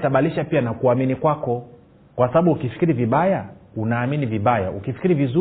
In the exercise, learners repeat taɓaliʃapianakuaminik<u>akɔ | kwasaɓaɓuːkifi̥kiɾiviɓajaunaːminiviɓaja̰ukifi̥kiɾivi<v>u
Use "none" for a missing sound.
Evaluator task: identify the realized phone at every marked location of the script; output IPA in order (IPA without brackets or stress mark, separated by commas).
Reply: w, z